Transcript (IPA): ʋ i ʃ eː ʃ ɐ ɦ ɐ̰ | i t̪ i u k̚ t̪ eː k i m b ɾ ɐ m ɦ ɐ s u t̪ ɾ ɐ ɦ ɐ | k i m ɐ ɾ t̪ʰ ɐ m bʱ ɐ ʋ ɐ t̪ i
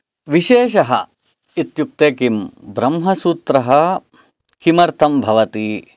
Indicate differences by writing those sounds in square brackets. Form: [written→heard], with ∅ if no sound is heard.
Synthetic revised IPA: ʋ i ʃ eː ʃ ɐ ɦ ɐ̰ | i t̪ [i→j] u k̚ t̪ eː k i m b ɾ ɐ m ɦ ɐ s [u→uː] t̪ ɾ ɐ ɦ ɐ | k i m ɐ ɾ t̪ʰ ɐ m bʱ ɐ ʋ ɐ t̪ i

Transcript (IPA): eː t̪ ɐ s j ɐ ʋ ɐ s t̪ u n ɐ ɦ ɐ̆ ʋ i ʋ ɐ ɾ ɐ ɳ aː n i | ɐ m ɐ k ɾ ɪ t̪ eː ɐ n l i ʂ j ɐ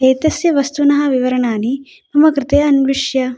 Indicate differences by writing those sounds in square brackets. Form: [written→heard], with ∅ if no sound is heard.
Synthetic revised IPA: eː t̪ ɐ s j ɐ ʋ ɐ s t̪ u n ɐ ɦ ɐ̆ ʋ i ʋ ɐ ɾ ɐ ɳ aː n i | ɐ m ɐ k ɾ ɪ t̪ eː ɐ n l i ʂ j ɐ

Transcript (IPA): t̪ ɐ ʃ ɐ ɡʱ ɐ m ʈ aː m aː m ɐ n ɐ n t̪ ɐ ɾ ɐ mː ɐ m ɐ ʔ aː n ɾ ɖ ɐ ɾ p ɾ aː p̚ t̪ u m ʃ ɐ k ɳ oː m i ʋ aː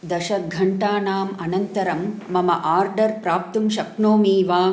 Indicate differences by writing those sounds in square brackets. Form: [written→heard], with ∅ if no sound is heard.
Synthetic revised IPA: [t̪→d̪] ɐ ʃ ɐ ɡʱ ɐ [m→ɳ] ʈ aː [m→n] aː m ɐ n ɐ n t̪ ɐ ɾ ɐ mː ɐ m ɐ ʔ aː [n→∅] ɾ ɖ ɐ ɾ p ɾ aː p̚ t̪ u m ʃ ɐ k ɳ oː m [i→iː] ʋ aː

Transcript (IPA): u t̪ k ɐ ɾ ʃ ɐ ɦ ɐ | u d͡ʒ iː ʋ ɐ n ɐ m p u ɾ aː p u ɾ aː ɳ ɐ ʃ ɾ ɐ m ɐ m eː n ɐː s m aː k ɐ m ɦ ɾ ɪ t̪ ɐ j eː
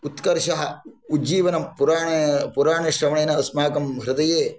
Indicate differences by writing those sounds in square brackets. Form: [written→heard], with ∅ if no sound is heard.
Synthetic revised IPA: u t̪ k ɐ ɾ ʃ ɐ ɦ ɐ | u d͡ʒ iː ʋ ɐ n ɐ m p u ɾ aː p u ɾ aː ɳ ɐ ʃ ɾ ɐ m ɐ [m→ɳ] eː n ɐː s m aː k ɐ m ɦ ɾ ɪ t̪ ɐ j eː

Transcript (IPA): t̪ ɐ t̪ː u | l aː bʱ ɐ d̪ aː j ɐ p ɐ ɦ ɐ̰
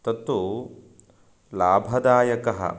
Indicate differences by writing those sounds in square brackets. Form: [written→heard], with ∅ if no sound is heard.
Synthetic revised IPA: t̪ ɐ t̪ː u | l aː bʱ ɐ d̪ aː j ɐ [p→k] ɐ ɦ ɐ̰

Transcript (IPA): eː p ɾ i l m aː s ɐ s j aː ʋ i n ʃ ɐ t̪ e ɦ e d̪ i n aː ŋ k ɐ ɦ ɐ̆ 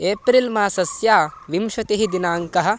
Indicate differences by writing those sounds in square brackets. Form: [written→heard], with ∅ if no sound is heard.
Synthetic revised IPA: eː p ɾ i l m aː s ɐ s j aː ʋ i [n→m] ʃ ɐ t̪ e ɦ [e→i] d̪ i n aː ŋ k ɐ ɦ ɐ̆

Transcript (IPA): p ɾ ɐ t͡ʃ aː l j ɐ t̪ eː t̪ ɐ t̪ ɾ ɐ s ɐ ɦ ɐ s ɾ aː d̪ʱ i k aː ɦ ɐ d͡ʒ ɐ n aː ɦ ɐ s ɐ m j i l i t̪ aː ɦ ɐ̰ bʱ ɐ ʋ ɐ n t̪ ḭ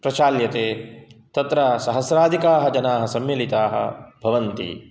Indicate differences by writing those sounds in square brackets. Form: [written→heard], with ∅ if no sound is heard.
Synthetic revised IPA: p ɾ ɐ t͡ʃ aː l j ɐ t̪ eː t̪ ɐ t̪ ɾ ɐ s ɐ ɦ ɐ s ɾ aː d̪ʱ i k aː ɦ ɐ d͡ʒ ɐ n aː ɦ ɐ s ɐ m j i l i t̪ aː ɦ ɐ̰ bʱ ɐ ʋ ɐ n t̪ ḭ

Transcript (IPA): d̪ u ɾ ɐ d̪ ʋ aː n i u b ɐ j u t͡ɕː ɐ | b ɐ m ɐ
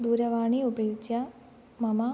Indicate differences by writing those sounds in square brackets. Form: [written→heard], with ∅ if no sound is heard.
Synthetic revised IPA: d̪ [u→uː] ɾ ɐ [d̪→∅] ʋ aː [n→ɳ] i u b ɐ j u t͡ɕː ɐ | [b→m] ɐ m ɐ

